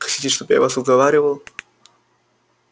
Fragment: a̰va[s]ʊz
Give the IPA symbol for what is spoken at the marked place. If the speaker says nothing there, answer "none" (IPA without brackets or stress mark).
s